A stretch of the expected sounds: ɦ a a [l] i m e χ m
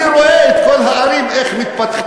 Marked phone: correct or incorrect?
incorrect